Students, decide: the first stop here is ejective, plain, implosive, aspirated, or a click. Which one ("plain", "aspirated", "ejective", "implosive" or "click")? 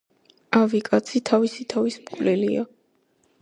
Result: ejective